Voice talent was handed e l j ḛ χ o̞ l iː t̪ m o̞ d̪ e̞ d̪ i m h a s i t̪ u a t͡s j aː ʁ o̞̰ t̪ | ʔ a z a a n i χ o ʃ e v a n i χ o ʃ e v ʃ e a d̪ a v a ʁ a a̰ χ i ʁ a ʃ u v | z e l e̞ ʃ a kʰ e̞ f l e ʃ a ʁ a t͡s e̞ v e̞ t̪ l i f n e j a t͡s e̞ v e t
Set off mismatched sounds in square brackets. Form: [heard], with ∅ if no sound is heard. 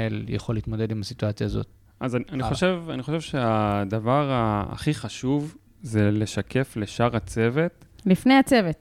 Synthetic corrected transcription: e l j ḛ χ o̞ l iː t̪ m o̞ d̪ e̞ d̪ i m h a s i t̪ u a t͡s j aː [z] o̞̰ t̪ | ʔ a z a a n i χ o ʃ e v a n i χ o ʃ e v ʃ e a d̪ a v a ʁ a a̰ χ i [χ] a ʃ u v | z e l e̞ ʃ a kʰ e̞ f l e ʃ a ʁ a t͡s e̞ v e̞ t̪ l i f n e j a t͡s e̞ v e t